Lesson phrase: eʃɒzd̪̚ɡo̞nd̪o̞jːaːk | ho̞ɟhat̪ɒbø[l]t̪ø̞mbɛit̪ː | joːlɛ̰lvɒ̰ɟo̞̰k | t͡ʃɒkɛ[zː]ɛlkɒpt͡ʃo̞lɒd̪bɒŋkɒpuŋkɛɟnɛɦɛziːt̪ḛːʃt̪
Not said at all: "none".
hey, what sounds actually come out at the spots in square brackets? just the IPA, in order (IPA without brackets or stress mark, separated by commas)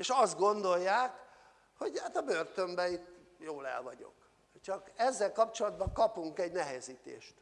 r, zː